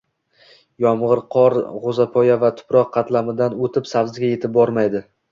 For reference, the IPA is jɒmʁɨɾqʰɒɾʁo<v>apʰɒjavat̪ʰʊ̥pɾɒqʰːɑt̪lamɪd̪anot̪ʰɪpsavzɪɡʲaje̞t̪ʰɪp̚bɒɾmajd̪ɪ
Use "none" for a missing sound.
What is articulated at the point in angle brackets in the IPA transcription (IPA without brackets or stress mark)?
z